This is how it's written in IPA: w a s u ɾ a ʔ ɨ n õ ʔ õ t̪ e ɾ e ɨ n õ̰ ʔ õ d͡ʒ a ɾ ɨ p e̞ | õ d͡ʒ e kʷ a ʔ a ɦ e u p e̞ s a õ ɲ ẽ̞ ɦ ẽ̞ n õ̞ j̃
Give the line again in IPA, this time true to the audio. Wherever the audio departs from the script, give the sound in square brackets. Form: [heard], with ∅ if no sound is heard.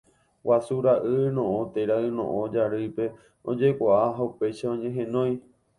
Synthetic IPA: w a s u ɾ a ʔ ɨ n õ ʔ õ t̪ e ɾ [a] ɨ n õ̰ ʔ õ d͡ʒ a ɾ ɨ p e̞ | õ d͡ʒ e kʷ a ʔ a ɦ [a] u p e̞ [ʃ] a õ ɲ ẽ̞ ɦ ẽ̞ n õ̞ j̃